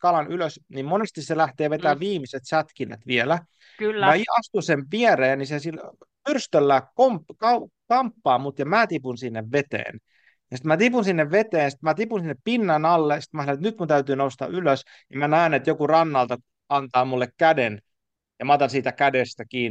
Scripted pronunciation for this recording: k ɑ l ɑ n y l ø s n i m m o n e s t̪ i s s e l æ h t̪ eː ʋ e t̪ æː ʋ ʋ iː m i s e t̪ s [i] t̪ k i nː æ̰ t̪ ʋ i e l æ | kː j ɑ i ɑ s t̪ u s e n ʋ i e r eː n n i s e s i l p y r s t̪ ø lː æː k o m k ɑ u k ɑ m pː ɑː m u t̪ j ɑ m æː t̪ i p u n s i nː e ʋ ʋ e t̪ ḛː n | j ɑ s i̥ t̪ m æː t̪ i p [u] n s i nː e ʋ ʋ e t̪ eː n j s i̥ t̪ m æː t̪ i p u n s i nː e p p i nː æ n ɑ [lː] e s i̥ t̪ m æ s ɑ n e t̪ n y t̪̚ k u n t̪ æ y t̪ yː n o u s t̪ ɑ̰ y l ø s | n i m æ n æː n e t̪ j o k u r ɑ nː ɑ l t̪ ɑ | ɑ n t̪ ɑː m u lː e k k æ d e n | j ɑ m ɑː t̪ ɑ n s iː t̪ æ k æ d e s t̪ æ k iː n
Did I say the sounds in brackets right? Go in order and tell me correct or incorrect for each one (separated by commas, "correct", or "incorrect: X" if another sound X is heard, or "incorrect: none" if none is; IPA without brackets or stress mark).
incorrect: æ, correct, correct